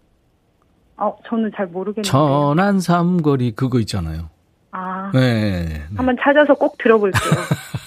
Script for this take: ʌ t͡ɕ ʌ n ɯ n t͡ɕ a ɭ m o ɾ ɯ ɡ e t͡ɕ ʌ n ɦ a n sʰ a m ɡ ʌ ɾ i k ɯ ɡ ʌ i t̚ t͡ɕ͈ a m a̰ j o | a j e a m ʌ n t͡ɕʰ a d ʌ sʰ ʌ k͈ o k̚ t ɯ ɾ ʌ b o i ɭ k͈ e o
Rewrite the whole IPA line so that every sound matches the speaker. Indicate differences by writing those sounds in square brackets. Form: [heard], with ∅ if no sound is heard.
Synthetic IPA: ʌ t͡ɕ ʌ n ɯ n t͡ɕ a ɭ m o ɾ ɯ ɡ e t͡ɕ ʌ n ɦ a n sʰ a m ɡ ʌ ɾ i k ɯ ɡ ʌ i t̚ t͡ɕ͈ a [n] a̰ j o | a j e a m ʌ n t͡ɕʰ a [d͡ʑ] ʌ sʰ ʌ k͈ o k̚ t ɯ ɾ ʌ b o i ɭ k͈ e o